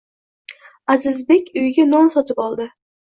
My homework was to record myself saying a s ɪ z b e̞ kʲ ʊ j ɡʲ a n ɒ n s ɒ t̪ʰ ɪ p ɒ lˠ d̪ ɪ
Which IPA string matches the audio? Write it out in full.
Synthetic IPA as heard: a z ɪ z b e̞ kʲ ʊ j ɡʲ a n ɒ n s ɒ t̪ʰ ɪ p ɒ lˠ d̪ ɪ